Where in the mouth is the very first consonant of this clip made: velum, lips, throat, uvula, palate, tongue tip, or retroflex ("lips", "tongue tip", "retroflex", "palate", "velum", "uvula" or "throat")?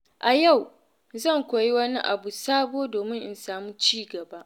throat